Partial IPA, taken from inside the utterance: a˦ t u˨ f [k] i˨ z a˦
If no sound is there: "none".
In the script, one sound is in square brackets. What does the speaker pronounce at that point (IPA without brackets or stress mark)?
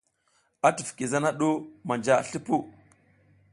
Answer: k